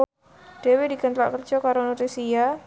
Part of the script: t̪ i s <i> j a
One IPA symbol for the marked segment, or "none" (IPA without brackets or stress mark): i